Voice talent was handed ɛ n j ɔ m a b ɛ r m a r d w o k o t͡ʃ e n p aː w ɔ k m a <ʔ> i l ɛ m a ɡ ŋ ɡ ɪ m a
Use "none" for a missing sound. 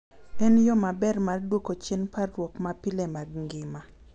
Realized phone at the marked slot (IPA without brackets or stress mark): p